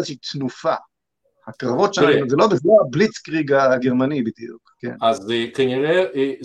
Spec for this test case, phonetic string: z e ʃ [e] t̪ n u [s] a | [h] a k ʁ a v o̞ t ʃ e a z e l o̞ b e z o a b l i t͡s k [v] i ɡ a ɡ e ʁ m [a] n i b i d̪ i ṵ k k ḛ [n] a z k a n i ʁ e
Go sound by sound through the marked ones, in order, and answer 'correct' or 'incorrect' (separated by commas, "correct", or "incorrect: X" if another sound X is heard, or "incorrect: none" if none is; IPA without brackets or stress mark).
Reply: incorrect: i, incorrect: f, correct, incorrect: ʁ, correct, correct